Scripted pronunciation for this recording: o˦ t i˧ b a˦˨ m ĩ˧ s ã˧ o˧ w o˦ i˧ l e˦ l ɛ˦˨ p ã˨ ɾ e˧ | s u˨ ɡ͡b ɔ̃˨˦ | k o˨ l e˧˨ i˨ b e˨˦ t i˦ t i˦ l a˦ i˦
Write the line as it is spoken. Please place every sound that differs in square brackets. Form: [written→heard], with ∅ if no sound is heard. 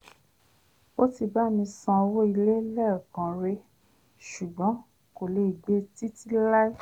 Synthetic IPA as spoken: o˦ t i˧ b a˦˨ m ĩ˧ s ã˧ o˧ w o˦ i˧ l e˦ l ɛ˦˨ [p→k] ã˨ ɾ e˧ | [s→ʃ] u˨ ɡ͡b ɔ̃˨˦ | k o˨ l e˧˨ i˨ [b→ɡ͡b] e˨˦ t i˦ t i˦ l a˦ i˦

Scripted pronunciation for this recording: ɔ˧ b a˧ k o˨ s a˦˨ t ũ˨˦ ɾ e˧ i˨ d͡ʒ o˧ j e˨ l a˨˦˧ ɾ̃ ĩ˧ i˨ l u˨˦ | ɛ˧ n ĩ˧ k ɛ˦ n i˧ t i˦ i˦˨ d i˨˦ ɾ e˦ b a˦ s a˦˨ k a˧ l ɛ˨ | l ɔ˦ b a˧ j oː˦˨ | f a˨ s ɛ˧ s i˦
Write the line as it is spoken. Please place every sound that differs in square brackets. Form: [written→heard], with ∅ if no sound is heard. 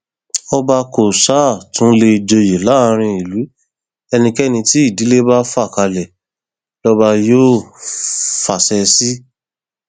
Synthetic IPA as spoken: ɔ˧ b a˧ k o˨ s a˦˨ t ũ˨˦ [ɾ→l] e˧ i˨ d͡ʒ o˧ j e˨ l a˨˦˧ ɾ̃ ĩ˧ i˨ l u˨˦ | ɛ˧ n ĩ˧ k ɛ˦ n [i˧→ĩ˧] t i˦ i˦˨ d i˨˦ [ɾ→l] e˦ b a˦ [s→f] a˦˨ k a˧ l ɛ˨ | l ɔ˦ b a˧ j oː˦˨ | f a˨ s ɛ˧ s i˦

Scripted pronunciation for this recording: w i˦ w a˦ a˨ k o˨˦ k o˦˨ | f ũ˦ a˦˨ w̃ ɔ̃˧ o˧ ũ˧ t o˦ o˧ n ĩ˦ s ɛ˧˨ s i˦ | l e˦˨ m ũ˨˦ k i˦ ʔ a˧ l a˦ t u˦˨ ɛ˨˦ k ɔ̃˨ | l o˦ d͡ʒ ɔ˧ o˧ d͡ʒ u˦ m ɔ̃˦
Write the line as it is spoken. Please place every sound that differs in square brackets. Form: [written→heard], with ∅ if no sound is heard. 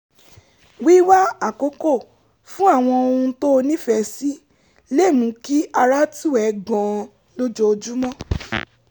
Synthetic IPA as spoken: w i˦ w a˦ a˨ k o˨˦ k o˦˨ | f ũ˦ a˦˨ w̃ ɔ̃˧ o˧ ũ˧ t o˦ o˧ n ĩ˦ [s→f] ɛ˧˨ s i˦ | l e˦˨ m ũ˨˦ k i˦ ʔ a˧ [l→ɾ] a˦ t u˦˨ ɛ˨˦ [k→ɡ] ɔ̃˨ | l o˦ d͡ʒ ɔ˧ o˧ d͡ʒ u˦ m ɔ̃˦

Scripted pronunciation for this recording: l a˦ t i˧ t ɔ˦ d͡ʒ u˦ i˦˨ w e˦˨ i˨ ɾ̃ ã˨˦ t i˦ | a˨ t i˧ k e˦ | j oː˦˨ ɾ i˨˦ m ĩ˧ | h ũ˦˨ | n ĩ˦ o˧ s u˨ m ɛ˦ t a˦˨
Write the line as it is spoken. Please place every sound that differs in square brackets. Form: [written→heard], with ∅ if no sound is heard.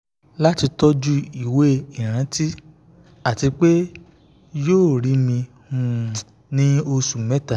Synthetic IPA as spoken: l a˦ t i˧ t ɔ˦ d͡ʒ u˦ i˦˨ w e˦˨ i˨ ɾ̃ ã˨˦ t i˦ | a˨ t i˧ [k→k͡p] e˦ | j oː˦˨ ɾ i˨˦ m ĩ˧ | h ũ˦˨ | n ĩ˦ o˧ s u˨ m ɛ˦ t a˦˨

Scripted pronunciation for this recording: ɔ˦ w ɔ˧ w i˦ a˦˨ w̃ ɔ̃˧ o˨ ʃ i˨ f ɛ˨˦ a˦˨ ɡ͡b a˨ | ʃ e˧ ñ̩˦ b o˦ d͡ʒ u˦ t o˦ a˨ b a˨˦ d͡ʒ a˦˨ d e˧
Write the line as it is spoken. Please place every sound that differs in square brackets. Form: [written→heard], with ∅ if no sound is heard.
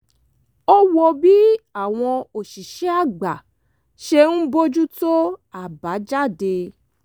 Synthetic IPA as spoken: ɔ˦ w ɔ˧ [w→b] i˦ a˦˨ w̃ ɔ̃˧ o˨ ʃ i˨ [f→ʃ] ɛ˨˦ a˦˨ ɡ͡b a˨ | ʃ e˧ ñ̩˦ b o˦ d͡ʒ u˦ t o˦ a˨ b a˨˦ d͡ʒ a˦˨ d e˧

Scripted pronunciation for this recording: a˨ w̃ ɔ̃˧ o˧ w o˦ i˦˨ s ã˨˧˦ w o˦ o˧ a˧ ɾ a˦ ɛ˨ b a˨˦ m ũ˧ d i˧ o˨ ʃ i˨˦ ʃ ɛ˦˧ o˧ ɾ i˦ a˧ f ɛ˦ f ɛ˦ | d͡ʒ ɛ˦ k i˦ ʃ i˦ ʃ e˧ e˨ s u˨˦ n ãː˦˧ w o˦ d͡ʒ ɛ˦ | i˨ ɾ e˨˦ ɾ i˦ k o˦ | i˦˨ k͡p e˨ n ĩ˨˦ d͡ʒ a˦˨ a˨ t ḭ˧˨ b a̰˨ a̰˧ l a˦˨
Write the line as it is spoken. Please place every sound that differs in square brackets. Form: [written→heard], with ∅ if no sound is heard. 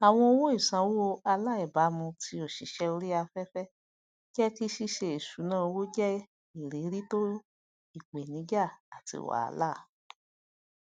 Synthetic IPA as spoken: a˨ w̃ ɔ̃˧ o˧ w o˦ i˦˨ s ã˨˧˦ w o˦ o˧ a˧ [ɾ→l] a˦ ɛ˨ b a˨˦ m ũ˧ [d→t] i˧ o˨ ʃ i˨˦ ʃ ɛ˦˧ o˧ ɾ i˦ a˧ f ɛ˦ f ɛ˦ | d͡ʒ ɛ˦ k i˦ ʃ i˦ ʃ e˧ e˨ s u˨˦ n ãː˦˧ w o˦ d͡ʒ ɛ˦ | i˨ ɾ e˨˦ ɾ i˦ [k→t] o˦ | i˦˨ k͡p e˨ n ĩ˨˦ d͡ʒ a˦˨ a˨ t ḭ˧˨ [b→w] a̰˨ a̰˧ l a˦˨

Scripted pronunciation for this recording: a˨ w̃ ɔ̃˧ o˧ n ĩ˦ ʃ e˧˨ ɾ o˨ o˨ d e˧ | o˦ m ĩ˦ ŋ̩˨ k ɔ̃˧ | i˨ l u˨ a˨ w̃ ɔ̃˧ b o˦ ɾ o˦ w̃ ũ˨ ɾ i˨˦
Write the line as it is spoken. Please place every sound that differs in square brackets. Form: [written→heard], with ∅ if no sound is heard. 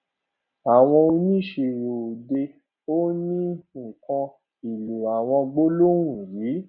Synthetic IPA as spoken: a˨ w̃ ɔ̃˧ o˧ n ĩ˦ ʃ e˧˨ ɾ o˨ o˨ d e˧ | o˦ [m→n] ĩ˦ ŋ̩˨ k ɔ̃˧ | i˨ l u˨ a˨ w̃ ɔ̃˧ [b→ɡ͡b] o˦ [ɾ→l] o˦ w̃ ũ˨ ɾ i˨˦

